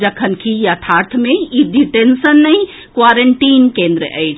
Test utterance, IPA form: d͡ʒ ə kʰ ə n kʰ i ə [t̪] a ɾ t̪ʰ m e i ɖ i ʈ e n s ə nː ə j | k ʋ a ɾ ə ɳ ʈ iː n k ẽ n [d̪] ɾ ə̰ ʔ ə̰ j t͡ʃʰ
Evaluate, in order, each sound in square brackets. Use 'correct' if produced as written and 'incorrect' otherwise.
incorrect: t̪ʰ, correct

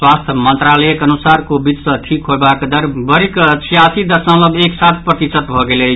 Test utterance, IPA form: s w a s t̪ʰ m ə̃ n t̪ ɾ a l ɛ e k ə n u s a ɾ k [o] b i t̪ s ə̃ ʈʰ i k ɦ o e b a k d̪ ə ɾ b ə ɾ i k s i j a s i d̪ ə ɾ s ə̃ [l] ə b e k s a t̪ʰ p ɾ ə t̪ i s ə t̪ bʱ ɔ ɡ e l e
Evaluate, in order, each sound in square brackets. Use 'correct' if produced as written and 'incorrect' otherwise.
correct, correct

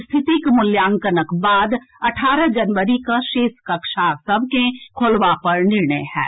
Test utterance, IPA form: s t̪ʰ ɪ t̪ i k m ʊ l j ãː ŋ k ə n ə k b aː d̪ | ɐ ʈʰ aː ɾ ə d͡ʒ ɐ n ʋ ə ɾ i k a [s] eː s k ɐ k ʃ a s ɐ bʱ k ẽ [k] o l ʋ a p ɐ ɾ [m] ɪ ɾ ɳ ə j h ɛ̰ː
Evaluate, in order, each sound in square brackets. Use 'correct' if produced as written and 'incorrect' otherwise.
incorrect: ʃ, incorrect: kʰ, incorrect: n

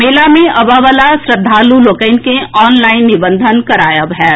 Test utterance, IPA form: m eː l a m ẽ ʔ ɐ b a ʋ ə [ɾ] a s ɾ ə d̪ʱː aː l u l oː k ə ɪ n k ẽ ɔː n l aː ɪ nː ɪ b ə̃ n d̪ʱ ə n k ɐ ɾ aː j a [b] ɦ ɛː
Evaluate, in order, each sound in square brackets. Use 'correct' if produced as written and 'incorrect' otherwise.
incorrect: l, correct

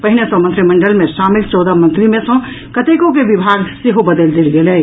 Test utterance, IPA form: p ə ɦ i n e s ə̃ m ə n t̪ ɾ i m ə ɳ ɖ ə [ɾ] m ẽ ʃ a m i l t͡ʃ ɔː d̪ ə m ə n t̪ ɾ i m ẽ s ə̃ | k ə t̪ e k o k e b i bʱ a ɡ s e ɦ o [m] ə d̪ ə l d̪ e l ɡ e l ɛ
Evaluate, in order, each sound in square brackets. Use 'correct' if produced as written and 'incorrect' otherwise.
incorrect: l, incorrect: b

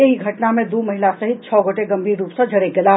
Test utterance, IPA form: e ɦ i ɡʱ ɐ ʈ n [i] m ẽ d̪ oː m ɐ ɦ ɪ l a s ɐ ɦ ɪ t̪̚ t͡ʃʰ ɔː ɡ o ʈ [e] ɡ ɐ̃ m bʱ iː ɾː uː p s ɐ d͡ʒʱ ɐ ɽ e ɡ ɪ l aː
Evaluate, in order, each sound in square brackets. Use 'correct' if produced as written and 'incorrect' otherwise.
incorrect: a, correct

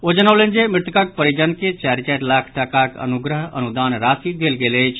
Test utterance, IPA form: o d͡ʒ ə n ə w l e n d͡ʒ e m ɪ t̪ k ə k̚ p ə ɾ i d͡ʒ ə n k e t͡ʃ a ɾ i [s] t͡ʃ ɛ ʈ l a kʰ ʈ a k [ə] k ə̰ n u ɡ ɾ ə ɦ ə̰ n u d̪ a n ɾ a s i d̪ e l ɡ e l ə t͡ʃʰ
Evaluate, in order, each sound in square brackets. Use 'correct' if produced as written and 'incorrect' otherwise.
incorrect: none, incorrect: a

